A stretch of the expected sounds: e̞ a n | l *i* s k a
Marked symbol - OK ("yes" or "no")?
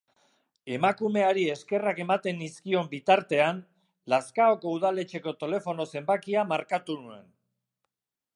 no